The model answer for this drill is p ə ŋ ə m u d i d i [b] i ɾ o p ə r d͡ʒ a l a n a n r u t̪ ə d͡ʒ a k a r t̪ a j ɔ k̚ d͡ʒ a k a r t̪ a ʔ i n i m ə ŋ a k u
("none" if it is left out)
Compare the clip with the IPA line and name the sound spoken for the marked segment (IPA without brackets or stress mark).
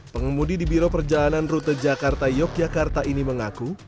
b